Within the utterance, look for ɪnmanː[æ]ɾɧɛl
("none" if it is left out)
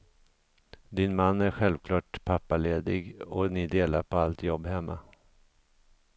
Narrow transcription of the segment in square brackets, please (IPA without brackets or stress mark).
æ